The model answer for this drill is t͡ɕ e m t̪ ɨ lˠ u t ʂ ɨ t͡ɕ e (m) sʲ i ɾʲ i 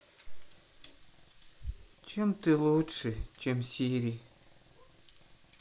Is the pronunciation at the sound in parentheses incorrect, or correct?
correct